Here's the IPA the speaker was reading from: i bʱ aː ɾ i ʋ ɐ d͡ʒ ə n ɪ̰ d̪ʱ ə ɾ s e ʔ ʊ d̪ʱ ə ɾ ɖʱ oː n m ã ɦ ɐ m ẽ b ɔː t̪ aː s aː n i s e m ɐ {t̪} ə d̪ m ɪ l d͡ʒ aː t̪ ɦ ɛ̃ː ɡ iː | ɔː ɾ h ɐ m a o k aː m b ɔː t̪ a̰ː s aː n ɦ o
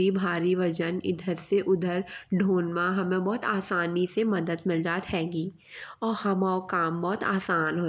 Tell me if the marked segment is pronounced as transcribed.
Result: no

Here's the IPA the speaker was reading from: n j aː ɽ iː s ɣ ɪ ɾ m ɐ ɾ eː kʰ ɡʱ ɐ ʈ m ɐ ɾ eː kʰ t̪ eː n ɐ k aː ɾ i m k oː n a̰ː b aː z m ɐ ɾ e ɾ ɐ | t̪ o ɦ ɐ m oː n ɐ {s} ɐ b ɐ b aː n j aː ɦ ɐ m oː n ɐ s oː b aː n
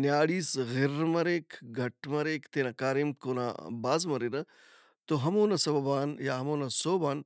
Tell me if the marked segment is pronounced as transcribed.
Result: yes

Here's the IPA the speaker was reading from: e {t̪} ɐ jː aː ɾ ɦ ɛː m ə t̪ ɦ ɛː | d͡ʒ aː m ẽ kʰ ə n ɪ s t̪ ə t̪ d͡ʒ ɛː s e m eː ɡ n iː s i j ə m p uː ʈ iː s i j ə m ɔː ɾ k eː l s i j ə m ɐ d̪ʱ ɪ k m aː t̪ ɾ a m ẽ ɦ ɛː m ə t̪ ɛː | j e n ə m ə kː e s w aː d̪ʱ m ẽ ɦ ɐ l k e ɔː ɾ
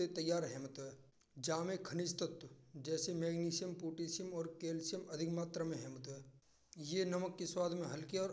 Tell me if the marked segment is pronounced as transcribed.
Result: yes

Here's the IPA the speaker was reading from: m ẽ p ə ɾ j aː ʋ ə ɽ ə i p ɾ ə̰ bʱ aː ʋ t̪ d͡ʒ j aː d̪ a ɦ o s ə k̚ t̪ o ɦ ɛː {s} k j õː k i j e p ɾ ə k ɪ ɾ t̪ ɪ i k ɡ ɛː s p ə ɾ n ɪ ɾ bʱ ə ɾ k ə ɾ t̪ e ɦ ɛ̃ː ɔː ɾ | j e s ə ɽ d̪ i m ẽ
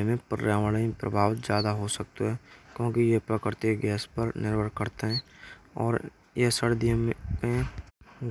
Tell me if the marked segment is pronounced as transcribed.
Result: no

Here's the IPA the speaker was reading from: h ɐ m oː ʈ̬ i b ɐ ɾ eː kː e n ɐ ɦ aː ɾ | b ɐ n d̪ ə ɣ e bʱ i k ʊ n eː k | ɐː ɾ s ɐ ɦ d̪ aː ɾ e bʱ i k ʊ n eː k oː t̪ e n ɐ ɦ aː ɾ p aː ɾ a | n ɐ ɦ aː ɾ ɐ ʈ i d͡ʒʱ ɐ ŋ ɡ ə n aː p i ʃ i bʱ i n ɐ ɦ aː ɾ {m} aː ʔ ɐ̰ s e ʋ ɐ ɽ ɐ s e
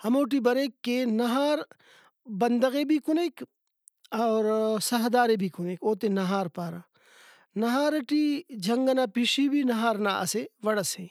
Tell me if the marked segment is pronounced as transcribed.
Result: no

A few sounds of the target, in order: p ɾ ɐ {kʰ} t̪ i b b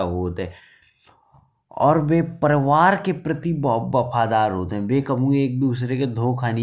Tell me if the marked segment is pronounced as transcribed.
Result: no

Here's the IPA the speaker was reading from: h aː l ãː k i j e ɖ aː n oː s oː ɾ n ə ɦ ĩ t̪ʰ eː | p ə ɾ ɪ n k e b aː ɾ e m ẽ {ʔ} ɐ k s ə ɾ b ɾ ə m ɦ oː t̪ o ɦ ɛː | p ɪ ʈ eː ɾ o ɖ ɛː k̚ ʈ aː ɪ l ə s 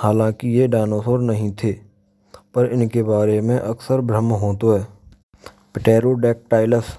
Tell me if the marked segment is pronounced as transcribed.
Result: yes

